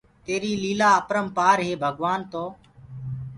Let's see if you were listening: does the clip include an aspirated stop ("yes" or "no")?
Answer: no